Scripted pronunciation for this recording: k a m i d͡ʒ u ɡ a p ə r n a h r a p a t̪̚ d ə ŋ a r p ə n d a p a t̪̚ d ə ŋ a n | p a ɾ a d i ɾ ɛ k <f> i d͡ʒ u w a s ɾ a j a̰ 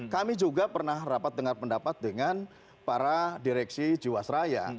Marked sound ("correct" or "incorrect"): incorrect